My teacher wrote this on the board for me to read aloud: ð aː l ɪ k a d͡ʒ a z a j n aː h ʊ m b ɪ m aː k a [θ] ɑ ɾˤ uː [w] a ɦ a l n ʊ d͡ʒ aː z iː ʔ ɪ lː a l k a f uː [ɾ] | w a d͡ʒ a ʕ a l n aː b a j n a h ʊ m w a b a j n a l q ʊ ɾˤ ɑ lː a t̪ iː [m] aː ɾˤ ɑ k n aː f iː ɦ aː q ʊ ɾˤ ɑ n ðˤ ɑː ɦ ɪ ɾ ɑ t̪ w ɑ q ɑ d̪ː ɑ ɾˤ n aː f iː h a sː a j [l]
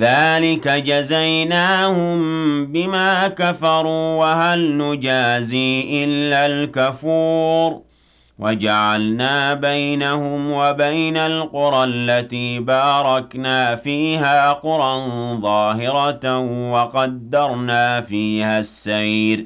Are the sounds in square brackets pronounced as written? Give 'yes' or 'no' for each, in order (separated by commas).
no, yes, yes, no, no